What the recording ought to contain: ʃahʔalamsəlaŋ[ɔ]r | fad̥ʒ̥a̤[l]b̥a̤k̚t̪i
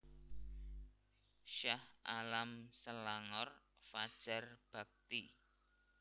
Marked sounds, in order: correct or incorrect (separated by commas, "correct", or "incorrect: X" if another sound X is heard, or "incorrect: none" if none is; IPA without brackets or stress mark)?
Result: correct, incorrect: r